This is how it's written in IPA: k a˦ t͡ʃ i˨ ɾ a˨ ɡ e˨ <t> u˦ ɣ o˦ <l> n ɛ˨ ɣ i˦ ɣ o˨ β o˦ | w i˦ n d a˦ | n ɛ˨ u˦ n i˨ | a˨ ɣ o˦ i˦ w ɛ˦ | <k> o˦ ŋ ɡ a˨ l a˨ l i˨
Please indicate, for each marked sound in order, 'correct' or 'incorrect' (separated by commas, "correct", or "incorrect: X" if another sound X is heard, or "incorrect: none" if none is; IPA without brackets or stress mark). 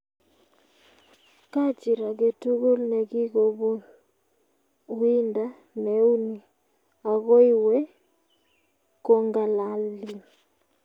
correct, correct, correct